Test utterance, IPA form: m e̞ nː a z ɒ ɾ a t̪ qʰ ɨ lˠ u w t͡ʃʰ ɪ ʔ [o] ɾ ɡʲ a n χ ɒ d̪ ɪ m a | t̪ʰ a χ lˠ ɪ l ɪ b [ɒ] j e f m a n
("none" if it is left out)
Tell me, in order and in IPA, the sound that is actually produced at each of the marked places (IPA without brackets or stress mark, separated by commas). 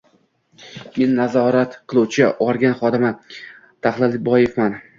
ɒ, ɒ